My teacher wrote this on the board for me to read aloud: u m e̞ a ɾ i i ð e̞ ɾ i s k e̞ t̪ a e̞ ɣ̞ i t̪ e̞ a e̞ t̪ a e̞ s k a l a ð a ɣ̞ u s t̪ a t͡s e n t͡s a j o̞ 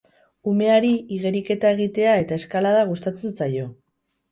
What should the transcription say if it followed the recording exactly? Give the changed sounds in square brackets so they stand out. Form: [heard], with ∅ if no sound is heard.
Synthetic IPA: u m e̞ a ɾ i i [ɣ] e̞ ɾ i [∅] k e̞ t̪ a e̞ ɣ̞ i t̪ e̞ a e̞ t̪ a e̞ s k a l a ð a ɣ̞ u s t̪ a t͡s e n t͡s a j o̞